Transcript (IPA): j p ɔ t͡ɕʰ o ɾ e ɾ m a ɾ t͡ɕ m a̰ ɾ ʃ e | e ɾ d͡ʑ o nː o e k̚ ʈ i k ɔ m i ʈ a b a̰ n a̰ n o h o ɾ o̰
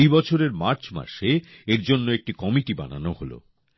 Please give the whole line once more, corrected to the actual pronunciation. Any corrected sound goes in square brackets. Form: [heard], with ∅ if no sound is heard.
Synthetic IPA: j [b] ɔ t͡ɕʰ o ɾ e ɾ m a ɾ t͡ɕ m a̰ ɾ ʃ e | e ɾ d͡ʑ o nː o e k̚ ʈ i k ɔ m i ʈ [i] b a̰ n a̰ n o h o [l] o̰